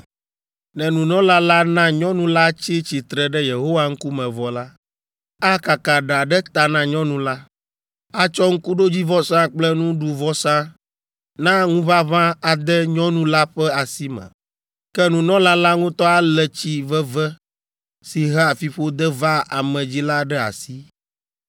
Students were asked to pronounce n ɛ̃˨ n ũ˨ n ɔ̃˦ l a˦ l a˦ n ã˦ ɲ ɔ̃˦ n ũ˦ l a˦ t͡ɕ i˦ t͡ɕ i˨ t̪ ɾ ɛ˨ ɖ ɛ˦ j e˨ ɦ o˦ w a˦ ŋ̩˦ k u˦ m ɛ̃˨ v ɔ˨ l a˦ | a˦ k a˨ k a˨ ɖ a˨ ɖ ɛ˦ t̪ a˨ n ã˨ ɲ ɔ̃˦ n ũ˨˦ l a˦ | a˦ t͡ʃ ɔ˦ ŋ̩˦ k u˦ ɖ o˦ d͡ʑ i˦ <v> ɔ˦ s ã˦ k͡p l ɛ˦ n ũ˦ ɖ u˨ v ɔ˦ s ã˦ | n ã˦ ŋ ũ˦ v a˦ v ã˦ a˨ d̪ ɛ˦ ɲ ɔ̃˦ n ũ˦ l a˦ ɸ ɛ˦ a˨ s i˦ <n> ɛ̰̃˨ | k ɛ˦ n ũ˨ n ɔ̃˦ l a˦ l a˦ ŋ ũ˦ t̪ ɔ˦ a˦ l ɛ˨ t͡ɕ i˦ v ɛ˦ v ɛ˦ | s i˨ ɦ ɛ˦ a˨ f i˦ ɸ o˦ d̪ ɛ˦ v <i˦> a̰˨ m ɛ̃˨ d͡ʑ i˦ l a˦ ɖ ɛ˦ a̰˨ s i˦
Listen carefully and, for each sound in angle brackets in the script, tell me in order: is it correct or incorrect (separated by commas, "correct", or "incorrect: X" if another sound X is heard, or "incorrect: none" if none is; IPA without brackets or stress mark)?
correct, incorrect: m, incorrect: a˦